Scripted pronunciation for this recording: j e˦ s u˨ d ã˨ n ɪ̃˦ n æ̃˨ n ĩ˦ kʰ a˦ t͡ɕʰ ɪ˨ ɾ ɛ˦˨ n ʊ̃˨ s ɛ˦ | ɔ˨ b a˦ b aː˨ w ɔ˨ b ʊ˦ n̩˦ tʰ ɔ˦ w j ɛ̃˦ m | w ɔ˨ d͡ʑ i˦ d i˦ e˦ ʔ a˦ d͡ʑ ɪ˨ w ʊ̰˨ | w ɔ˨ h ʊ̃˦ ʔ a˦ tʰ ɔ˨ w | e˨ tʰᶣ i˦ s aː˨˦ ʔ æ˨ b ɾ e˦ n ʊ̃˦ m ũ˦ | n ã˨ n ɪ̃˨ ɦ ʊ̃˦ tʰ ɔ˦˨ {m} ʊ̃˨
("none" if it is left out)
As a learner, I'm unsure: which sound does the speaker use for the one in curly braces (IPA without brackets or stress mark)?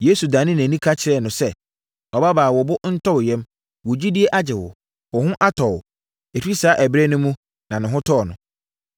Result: n